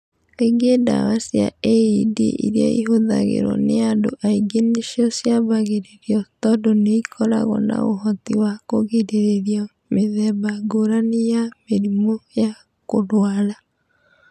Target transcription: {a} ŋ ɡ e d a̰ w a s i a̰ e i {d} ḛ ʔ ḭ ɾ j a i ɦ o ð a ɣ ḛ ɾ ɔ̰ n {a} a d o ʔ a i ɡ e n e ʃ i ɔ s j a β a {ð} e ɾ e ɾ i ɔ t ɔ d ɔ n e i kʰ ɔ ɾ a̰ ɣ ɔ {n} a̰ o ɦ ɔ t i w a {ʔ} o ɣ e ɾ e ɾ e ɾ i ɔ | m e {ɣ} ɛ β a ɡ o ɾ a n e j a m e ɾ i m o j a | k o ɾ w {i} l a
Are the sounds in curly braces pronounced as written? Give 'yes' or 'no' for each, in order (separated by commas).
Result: no, yes, no, no, yes, no, no, no